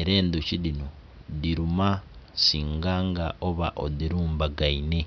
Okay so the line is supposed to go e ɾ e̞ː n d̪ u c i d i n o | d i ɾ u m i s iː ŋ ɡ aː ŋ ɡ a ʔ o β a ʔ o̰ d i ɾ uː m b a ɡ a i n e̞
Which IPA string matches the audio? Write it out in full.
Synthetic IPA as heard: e ɾ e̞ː n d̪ u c i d i n o | d i ɾ u m a s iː ŋ ɡ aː ŋ ɡ a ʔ o β a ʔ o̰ d i ɾ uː m b a ɡ a i n e̞

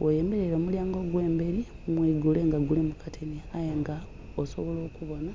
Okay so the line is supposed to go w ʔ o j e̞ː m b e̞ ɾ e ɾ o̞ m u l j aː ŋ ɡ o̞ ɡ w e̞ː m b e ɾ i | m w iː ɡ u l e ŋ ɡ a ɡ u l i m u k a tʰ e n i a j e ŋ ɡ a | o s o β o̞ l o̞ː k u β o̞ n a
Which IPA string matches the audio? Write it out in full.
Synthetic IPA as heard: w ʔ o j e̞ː m b e̞ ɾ e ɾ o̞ m u l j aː ŋ ɡ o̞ ɡ w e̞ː m b e ɾ i | m w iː ɡ u l e ŋ ɡ a ɡ u l i m u k a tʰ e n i a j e ŋ ɡ a | o s o β o̞ l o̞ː k u β o̞ n a

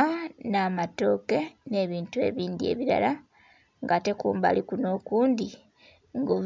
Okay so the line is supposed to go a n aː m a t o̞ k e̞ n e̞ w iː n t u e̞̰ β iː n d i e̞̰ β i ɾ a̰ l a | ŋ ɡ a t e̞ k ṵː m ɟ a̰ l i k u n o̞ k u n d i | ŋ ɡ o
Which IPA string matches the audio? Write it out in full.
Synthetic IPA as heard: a n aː m a t o̞ k e̞ n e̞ β iː n t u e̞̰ β iː n d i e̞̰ β i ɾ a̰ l a | ŋ ɡ a t e̞ k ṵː m b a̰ l i k u n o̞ k uː n d i | ŋ ɡ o

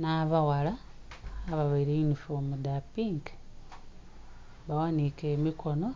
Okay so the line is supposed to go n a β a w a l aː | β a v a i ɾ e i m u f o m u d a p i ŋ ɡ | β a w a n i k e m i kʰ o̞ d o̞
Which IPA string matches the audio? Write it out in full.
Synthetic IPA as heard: n a β a w a l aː | β a β a i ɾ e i n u f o m u d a p i ŋ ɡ | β a w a n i k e m i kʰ o̞ n o̞

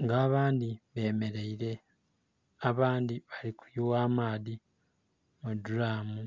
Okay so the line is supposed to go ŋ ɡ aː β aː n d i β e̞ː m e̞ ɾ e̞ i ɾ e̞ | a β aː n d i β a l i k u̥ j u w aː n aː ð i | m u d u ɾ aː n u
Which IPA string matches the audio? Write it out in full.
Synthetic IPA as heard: ŋ ɡ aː β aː n d i β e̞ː m e̞ ɾ e̞ i ɾ e̞ | a β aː n d i β a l i k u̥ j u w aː m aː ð i | m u d u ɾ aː m u

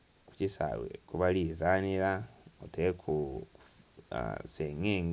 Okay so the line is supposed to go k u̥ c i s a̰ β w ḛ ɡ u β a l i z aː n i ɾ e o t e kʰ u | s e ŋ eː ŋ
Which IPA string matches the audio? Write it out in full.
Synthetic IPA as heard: k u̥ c i s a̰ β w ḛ k u β a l i z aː n i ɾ a o t e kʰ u | s e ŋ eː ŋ

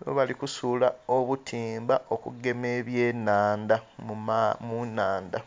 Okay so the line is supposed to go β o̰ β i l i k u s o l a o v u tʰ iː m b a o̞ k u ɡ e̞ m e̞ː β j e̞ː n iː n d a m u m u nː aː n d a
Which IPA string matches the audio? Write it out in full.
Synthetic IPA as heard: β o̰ β a l i k u s u l a o β u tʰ iː m b a o̞ k u ɡ e̞ m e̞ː β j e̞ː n aː n d a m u m u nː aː n d a

